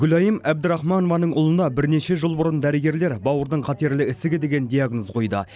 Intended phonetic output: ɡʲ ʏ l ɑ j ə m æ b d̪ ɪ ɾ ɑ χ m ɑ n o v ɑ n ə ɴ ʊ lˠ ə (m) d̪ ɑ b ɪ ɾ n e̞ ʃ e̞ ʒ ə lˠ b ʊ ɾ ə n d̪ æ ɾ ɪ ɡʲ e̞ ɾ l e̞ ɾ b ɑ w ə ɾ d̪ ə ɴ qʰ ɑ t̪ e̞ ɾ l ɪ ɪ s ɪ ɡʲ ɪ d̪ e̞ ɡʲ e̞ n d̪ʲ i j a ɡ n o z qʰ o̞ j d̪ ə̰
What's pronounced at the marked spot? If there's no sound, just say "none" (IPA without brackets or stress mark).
n